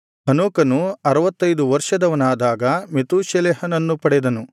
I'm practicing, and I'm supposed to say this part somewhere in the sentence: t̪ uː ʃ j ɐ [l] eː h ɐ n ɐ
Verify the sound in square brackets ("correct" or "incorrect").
correct